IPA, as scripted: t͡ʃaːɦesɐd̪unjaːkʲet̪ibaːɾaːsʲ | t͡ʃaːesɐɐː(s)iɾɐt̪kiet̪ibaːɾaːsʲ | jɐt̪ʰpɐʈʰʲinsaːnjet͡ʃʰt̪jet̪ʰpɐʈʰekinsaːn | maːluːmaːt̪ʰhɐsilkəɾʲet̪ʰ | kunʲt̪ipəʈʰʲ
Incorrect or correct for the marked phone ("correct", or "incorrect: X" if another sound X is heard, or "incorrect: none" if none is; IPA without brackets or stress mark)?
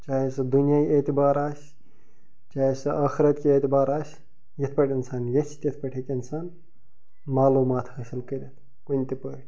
incorrect: x